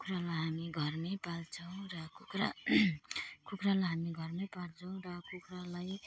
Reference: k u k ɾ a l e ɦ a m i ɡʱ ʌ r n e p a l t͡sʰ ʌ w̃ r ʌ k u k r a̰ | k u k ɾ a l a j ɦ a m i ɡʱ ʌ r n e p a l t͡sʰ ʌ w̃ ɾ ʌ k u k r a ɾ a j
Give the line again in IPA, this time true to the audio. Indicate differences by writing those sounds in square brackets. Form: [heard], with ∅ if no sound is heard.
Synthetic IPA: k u k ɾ a l [a] ɦ a m i ɡʱ ʌ r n e p a l t͡sʰ ʌ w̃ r ʌ k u k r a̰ | k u k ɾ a l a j ɦ a m i ɡʱ ʌ r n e p a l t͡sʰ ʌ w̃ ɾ ʌ k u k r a [l] a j